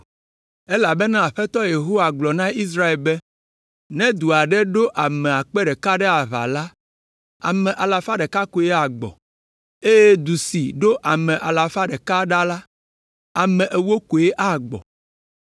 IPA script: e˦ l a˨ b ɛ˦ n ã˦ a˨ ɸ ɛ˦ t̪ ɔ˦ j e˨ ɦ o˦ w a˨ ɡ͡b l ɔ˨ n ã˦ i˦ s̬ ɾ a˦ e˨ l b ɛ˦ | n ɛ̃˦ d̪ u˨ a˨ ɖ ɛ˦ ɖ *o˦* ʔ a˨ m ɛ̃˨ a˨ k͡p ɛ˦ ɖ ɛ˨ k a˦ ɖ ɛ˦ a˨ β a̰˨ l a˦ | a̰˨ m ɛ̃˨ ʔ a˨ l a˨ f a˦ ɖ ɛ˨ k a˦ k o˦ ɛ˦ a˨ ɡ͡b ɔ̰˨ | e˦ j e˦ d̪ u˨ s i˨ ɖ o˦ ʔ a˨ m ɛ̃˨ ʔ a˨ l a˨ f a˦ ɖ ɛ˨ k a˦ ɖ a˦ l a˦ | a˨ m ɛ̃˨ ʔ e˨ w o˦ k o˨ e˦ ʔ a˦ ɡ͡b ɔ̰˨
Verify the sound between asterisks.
correct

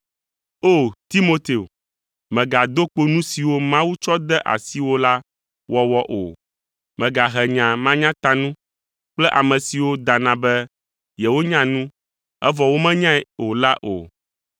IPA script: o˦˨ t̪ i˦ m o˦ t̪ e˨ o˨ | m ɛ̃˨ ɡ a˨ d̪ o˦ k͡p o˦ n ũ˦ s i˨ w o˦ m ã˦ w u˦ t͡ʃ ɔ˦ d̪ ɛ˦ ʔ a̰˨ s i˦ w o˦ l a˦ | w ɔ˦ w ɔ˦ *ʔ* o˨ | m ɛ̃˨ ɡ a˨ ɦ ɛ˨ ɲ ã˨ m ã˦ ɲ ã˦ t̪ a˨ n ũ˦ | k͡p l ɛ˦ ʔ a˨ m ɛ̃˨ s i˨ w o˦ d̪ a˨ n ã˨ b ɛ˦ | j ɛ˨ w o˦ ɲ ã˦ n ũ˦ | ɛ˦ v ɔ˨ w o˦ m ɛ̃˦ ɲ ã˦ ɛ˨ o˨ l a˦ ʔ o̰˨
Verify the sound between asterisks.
correct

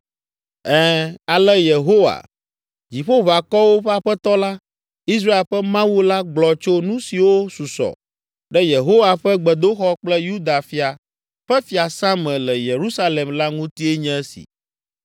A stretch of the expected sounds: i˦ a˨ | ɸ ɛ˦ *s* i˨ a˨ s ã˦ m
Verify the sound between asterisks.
incorrect: f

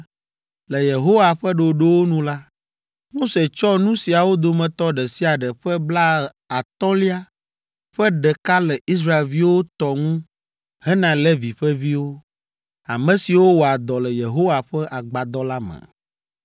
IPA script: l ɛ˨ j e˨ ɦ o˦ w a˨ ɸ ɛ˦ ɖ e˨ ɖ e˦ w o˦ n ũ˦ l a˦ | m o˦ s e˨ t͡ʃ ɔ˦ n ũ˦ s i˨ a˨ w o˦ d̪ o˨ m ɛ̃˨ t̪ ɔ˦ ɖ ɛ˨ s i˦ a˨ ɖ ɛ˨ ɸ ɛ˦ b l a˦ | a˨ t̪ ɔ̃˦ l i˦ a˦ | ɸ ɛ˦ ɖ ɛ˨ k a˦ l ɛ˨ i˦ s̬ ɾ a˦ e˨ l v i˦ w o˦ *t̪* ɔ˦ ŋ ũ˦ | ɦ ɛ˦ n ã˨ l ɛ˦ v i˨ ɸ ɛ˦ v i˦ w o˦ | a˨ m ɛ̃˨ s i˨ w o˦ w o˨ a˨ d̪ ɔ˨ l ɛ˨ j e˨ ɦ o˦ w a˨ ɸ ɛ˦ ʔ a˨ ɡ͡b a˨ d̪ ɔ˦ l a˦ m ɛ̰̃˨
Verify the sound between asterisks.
correct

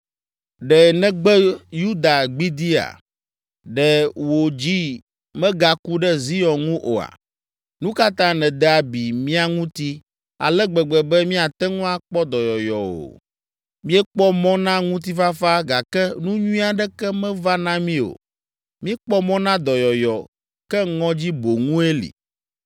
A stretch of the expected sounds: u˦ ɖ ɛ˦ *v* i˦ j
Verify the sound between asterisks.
incorrect: z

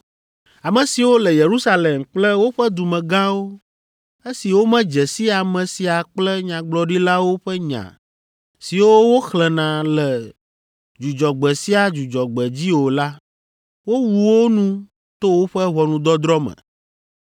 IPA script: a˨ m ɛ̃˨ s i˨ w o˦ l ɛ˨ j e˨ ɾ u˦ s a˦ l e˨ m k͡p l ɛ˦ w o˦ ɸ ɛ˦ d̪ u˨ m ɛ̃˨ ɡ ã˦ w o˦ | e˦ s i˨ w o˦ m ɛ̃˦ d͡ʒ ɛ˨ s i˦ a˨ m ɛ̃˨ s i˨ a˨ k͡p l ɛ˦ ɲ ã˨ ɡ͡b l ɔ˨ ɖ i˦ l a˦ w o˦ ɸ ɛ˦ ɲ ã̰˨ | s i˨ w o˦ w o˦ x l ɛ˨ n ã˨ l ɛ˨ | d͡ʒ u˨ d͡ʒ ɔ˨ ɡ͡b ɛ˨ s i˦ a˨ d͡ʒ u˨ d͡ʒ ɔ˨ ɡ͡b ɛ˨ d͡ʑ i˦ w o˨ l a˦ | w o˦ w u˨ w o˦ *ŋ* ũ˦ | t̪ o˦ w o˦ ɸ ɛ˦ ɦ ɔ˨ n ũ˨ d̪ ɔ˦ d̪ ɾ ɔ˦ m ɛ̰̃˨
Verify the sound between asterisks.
incorrect: n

